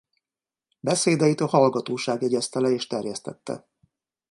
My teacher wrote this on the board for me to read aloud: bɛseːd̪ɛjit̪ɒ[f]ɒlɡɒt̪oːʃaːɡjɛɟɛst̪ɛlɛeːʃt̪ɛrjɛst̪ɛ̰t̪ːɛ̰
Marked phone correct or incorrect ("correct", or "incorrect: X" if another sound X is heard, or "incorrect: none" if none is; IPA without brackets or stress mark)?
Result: incorrect: h